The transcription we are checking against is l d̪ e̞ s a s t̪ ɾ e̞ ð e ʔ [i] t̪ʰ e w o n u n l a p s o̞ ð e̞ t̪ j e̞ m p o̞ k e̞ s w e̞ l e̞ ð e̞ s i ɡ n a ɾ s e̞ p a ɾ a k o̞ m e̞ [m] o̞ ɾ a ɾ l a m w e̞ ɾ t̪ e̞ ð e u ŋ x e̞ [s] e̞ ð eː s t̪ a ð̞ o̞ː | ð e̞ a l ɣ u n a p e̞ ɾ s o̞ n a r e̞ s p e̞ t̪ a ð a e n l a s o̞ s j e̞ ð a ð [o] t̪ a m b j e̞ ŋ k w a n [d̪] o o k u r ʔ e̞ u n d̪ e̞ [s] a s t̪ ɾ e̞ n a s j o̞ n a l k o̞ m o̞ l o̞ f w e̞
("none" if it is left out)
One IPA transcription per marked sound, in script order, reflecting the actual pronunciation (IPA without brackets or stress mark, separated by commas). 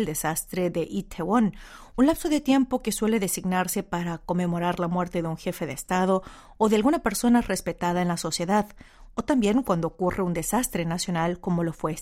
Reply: i, m, f, o, d̪, s